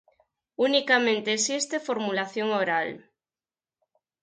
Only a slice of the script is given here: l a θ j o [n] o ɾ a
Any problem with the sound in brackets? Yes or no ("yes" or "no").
yes